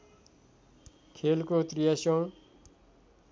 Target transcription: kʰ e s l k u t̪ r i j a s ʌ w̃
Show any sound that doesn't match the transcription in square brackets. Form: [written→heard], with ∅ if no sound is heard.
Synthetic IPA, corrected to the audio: kʰ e [s→∅] l k [u→o] t̪ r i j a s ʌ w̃

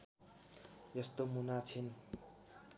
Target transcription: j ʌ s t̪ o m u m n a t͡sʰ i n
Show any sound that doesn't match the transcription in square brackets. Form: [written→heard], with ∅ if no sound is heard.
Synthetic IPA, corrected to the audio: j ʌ s t̪ o m u [m→∅] n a t͡sʰ i n

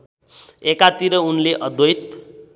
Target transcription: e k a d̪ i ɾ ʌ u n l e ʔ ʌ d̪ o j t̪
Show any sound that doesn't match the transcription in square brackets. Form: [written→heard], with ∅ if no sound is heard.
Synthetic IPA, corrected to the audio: e k a [d̪→t̪] i ɾ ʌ u n l e ʔ ʌ d̪ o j t̪

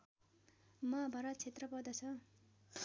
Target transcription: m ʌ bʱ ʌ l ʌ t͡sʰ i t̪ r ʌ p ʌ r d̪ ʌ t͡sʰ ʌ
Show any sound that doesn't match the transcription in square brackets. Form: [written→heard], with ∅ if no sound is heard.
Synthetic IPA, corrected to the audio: m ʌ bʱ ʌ [l→ɾ] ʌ t͡sʰ [i→e] t̪ r ʌ p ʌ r d̪ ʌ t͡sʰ ʌ

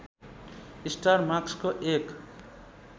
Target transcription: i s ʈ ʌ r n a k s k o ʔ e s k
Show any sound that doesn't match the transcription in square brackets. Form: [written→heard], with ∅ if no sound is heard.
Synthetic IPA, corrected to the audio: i s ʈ [ʌ→a] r [n→m] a k s k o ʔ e [s→∅] k

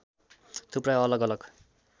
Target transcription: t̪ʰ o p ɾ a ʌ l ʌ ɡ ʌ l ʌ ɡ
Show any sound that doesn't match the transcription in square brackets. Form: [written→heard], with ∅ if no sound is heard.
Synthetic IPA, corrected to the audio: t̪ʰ [o→u] p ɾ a ʌ l ʌ ɡ ʌ l ʌ ɡ

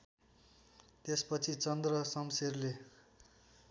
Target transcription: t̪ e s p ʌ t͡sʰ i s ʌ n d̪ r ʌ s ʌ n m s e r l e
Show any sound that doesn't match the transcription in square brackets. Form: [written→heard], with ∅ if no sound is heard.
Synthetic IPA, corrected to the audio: t̪ e s p ʌ t͡sʰ i [s→t͡s] ʌ n d̪ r ʌ s ʌ [n→∅] m s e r l e

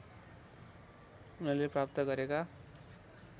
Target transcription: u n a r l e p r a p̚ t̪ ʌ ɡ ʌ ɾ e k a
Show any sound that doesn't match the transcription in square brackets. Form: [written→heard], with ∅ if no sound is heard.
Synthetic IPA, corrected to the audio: u n [a→ʌ] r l e p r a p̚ t̪ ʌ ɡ ʌ ɾ e k a

